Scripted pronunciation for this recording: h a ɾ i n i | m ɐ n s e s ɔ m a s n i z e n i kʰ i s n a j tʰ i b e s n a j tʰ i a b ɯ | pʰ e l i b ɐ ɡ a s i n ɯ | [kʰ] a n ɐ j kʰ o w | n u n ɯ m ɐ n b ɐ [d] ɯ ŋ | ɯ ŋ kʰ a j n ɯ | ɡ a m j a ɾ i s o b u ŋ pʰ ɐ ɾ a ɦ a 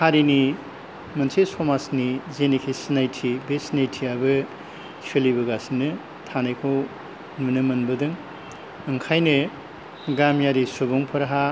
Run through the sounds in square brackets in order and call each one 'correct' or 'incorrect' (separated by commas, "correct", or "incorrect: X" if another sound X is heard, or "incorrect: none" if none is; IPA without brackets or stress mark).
incorrect: tʰ, correct